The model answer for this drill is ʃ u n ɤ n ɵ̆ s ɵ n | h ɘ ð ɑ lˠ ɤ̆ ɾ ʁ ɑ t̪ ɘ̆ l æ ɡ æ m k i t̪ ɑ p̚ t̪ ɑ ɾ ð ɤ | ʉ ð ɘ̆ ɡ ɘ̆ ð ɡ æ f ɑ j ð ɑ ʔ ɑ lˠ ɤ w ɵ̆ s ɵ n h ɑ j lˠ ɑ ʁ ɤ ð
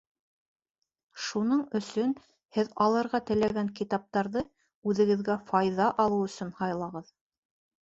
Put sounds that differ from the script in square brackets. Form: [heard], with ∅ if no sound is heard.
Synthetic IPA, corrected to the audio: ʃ u n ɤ [ɴ] ɵ̆ s ɵ n | h ɘ ð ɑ lˠ ɤ̆ ɾ ʁ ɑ t̪ ɘ̆ l æ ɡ æ [ŋ] k i t̪ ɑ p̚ t̪ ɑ ɾ ð ɤ | ʉ ð ɘ̆ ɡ ɘ̆ ð ɡ æ f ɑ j ð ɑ ʔ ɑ lˠ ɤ w ɵ̆ s ɵ n h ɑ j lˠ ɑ ʁ ɤ ð